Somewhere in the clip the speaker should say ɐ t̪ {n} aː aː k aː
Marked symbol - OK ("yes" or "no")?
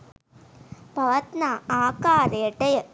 yes